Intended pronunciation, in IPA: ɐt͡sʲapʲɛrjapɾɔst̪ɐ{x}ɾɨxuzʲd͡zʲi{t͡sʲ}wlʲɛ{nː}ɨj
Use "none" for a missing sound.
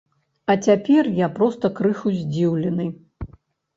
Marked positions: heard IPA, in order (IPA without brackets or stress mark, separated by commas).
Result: k, none, n